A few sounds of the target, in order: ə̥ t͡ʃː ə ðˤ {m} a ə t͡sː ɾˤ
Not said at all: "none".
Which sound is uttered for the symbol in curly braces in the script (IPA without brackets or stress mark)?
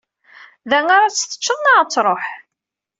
n